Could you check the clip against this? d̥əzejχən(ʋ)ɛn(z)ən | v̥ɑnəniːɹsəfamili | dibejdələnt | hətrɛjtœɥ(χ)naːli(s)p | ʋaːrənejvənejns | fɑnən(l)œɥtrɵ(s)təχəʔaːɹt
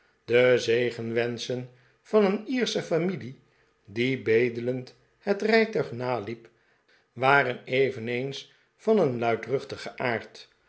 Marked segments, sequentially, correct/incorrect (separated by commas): correct, incorrect, correct, incorrect, correct, incorrect